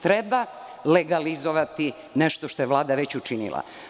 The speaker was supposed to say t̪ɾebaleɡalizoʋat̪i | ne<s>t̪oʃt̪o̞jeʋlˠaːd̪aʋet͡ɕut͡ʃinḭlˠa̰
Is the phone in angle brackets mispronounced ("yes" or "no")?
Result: yes